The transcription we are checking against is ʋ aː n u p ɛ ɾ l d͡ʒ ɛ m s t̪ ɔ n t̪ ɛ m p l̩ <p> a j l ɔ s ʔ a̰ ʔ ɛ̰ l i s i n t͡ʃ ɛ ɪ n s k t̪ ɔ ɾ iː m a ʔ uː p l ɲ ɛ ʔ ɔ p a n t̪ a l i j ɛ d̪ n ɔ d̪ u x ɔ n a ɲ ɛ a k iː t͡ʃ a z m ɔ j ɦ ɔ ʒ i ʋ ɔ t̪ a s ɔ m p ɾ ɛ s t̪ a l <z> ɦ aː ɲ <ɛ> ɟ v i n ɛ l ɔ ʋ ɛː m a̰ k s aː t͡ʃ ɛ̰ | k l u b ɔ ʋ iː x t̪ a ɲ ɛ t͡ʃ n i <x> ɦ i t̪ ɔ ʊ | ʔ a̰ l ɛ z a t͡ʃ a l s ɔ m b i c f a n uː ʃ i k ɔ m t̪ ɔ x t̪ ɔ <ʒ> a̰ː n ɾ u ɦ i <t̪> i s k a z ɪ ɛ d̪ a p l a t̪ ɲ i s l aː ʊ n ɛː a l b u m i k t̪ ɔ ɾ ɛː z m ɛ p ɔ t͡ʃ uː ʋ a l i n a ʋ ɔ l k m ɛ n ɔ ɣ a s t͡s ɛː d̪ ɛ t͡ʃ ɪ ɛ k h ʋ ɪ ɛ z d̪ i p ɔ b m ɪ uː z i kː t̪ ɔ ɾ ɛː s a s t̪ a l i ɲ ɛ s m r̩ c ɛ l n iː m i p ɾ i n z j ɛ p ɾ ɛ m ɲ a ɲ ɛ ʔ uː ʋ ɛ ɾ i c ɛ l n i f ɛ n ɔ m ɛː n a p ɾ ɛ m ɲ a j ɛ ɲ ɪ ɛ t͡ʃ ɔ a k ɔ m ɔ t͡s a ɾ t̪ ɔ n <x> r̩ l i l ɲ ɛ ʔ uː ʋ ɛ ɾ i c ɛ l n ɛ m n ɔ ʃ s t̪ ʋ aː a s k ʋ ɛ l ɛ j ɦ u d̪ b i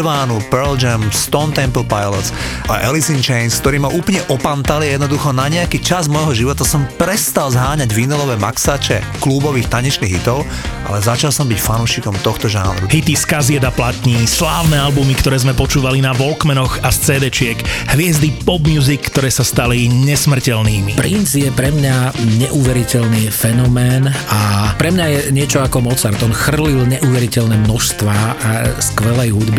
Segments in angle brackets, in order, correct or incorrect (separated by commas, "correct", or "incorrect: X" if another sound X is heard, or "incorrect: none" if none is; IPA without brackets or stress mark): correct, correct, incorrect: a, incorrect: ɣ, correct, correct, correct